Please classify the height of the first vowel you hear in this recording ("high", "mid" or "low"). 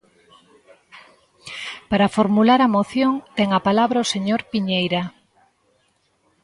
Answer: low